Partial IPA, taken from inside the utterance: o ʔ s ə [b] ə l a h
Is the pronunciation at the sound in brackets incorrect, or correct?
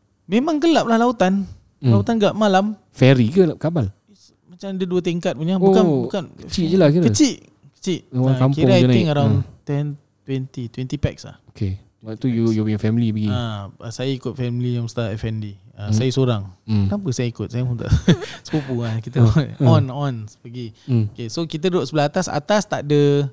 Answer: correct